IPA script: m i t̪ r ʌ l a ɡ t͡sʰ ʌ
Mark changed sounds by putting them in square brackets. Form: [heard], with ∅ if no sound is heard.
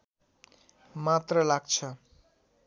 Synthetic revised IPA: m [a] t̪ r ʌ l a ɡ t͡sʰ ʌ